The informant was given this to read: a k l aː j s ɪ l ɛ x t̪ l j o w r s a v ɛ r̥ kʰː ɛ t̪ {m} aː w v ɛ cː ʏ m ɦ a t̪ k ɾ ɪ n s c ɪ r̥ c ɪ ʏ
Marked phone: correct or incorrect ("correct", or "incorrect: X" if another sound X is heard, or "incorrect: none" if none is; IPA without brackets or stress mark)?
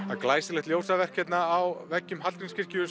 incorrect: n